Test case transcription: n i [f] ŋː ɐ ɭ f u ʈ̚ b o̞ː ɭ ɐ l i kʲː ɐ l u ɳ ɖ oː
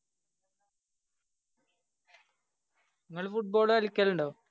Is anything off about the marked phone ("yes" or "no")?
yes